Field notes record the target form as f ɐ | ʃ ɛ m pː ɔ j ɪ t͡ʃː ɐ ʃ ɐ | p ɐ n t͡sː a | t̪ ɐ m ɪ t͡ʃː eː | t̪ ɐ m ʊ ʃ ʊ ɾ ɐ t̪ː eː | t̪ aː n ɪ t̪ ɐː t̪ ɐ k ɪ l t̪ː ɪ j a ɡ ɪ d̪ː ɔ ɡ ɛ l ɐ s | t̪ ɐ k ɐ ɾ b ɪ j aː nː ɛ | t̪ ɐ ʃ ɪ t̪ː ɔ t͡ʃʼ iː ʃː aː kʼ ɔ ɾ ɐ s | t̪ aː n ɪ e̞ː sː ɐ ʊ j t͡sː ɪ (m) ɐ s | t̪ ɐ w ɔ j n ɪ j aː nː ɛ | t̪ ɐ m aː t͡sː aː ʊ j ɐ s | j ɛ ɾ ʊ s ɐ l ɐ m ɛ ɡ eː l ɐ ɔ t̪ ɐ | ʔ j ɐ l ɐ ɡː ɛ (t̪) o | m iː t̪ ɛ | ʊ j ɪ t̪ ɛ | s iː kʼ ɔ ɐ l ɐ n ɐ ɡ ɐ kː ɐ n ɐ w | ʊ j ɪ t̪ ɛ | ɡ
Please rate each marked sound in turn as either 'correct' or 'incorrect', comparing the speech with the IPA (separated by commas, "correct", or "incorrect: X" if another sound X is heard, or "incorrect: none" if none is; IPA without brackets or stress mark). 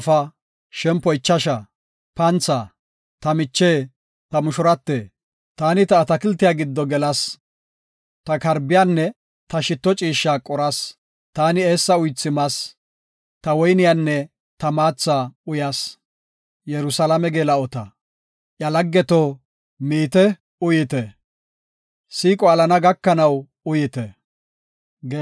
correct, correct